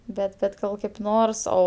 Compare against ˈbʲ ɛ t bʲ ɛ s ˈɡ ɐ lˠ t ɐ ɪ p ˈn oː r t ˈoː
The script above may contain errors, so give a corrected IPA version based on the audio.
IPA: ˈbʲ ɛ t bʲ ɛ t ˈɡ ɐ lˠ k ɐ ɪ p ˈn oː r s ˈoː